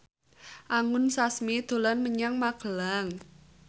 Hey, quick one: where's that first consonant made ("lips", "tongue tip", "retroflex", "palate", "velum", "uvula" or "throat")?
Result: throat